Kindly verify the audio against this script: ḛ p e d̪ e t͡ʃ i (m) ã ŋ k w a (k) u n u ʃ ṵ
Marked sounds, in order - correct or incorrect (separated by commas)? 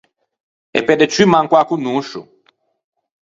correct, correct